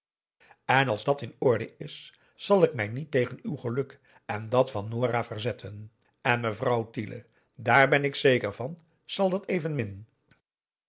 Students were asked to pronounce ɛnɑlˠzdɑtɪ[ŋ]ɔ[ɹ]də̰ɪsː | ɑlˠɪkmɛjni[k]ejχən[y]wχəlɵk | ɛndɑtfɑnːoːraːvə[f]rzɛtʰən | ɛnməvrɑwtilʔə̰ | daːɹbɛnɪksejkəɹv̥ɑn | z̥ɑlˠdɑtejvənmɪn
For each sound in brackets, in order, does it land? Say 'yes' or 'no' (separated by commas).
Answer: no, yes, no, yes, no